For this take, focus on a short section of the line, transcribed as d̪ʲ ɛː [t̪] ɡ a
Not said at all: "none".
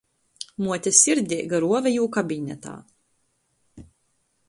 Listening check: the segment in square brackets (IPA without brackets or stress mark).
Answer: none